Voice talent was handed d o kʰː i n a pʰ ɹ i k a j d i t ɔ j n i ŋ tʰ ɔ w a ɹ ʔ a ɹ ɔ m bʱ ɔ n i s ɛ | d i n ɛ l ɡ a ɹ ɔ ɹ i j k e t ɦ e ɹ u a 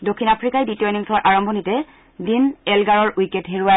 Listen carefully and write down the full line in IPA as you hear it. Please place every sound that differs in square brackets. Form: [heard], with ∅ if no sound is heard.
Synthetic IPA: d o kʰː i n a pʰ ɹ i k a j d i t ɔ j n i ŋ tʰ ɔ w a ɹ ʔ a ɹ ɔ m bʱ ɔ n i [t] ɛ | d i n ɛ l ɡ a ɹ ɔ ɹ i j k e t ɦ e ɹ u a